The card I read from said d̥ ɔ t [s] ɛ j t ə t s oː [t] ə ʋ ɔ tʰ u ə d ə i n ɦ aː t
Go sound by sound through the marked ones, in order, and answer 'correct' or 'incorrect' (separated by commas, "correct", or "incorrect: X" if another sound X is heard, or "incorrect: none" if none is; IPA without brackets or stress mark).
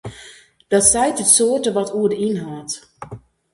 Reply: correct, correct